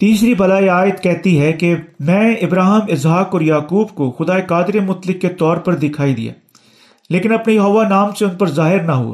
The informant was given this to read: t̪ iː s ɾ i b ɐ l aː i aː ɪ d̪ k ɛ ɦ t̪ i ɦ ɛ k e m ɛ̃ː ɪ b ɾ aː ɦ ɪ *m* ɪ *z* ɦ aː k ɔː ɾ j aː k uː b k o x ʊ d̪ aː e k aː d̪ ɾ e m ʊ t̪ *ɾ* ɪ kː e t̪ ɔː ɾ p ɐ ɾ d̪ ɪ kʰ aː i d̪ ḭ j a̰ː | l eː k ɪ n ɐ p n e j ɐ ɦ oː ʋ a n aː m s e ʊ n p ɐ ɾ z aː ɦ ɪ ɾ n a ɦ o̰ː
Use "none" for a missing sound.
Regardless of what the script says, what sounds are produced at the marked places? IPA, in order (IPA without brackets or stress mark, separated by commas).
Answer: m, z, l